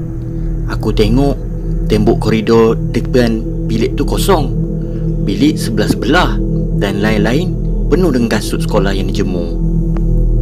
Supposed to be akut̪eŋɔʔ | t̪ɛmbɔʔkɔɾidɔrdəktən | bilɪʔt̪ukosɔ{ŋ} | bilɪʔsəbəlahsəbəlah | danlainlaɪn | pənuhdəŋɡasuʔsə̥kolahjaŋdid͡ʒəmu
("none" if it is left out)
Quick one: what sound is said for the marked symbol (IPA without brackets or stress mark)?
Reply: ŋ